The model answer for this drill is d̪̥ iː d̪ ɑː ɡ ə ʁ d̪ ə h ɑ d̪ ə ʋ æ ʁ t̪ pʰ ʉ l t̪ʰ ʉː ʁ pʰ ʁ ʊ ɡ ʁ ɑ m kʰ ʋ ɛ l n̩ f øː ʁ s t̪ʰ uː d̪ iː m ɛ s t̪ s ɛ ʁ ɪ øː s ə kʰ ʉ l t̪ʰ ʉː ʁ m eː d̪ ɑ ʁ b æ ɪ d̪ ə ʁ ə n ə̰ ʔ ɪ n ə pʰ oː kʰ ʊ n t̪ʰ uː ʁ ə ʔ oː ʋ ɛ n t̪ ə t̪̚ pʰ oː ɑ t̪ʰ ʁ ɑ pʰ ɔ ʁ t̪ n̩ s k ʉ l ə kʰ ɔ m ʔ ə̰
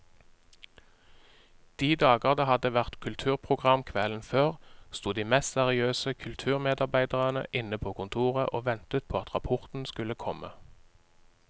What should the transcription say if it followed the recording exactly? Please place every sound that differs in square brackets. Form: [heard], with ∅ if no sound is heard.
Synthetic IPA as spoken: d̪̥ iː d̪ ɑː ɡ ə ʁ d̪ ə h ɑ d̪ ə ʋ æ ʁ t̪ [kʰ] ʉ l t̪ʰ ʉː ʁ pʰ ʁ ʊ ɡ ʁ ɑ m kʰ ʋ ɛ l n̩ f øː ʁ s [t̪] uː d̪ iː m ɛ s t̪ s ɛ ʁ ɪ øː s ə kʰ ʉ l t̪ʰ ʉː ʁ m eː d̪ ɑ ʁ b æ ɪ d̪ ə ʁ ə n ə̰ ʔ ɪ n ə pʰ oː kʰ ʊ n t̪ʰ uː ʁ ə ʔ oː ʋ ɛ n t̪ ə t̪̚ pʰ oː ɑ [t̪] ʁ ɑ pʰ ɔ ʁ t̪ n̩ s k ʉ l ə kʰ ɔ m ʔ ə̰